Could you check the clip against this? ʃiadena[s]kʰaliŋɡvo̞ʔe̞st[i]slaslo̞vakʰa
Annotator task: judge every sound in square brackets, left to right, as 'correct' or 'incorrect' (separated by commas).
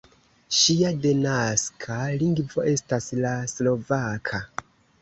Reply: correct, incorrect